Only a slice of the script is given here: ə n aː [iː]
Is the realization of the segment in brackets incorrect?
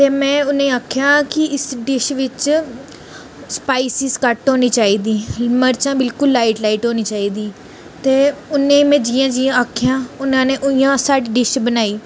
no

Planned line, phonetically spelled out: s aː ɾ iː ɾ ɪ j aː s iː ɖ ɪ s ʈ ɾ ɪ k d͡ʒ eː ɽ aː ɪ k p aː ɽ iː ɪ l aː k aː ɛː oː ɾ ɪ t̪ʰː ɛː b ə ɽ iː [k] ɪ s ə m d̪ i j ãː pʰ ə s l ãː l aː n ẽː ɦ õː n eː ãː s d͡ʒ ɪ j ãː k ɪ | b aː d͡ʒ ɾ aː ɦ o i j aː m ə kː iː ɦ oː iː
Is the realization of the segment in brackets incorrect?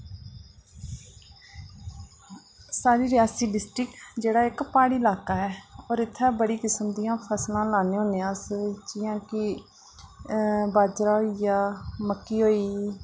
no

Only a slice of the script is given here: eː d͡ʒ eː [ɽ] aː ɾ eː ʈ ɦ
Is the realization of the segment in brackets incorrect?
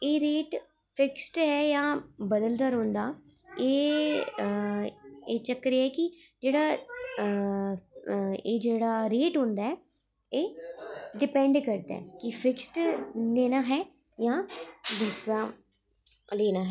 no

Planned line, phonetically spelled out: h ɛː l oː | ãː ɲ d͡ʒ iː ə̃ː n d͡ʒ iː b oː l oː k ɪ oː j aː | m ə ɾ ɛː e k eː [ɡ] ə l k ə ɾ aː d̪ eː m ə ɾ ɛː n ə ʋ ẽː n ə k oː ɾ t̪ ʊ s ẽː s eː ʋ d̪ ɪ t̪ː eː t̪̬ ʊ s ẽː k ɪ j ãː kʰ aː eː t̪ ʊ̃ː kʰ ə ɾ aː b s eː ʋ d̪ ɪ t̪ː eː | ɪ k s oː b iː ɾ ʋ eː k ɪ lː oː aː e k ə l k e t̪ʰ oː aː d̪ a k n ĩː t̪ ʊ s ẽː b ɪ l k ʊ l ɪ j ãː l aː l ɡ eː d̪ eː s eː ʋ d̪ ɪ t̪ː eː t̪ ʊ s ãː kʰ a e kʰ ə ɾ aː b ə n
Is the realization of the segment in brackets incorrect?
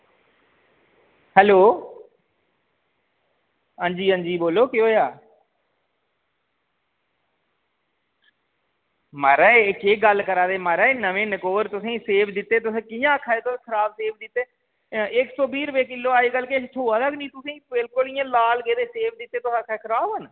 no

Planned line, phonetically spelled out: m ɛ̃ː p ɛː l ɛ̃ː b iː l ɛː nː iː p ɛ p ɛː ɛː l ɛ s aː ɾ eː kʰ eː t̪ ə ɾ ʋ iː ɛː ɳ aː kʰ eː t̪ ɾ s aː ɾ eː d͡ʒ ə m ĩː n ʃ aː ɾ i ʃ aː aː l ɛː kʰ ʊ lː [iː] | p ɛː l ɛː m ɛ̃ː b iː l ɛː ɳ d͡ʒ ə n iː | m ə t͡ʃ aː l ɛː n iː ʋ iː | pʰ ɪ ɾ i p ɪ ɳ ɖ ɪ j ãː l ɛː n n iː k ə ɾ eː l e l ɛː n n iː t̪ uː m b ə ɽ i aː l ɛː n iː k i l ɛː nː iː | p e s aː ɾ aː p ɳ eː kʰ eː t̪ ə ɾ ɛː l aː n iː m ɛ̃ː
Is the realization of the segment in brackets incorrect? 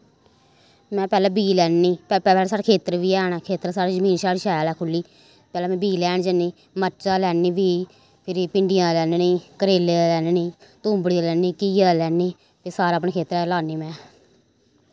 no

